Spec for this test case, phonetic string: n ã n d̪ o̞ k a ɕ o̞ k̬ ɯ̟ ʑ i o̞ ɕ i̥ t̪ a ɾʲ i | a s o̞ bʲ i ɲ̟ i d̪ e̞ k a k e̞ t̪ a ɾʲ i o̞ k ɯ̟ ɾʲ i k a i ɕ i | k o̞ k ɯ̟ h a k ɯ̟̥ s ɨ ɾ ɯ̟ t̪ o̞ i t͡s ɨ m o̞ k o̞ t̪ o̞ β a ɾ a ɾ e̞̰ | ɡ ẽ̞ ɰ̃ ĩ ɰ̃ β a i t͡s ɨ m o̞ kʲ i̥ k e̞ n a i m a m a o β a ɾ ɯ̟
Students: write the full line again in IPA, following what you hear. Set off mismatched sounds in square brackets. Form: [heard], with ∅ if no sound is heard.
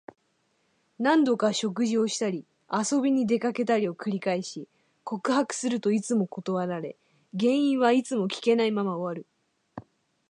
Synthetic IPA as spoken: n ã n d̪ o̞ k a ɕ o̞ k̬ ɯ̟ ʑ i o̞ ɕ i̥ t̪ a ɾʲ i | a s o̞ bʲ i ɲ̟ i d̪ e̞ k a k e̞ t̪ a ɾʲ i o̞ k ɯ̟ ɾʲ i k a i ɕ i | k o̞ k ɯ̟ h a k ɯ̟̥ s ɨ ɾ ɯ̟ t̪ o̞ i t͡s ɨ m o̞ k o̞ t̪ o̞ β a ɾ a ɾ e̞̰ | ɡ ẽ̞ ɰ̃ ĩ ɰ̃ β a i t͡s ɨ m o̞ kʲ i̥ k e̞ n a i m a m a o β a ɾ ɯ̟